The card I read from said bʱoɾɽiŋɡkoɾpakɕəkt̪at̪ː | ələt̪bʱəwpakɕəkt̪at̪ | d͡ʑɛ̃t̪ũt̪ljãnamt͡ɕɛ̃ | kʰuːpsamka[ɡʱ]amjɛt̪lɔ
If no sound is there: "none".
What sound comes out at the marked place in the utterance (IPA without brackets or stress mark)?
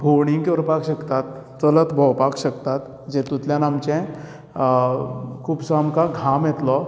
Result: ɡʱ